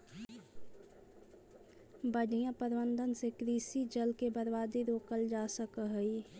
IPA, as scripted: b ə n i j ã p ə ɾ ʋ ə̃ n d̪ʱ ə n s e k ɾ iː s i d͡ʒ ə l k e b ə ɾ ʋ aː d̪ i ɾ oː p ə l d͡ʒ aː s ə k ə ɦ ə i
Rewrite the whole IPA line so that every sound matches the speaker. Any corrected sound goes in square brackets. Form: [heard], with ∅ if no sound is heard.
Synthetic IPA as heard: b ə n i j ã p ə ɾ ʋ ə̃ n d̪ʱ ə n s e k ɾ iː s i d͡ʒ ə l k e b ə ɾ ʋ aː d̪ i ɾ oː [k] ə l d͡ʒ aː s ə k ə ɦ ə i